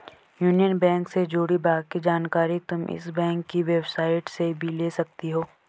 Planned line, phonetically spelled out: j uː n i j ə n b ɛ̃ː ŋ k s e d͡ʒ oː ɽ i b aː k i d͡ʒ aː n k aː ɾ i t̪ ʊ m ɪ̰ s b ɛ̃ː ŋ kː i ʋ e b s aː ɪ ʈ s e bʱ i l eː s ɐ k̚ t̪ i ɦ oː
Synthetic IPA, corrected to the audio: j uː n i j ə n b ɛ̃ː ŋ k s e d͡ʒ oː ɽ i b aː k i d͡ʒ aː n k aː ɾ i t̪ ʊ m ɪ̰ s b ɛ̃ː ŋ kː i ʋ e b s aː ɪ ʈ s e bʱ i l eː s ɐ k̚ t̪ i ɦ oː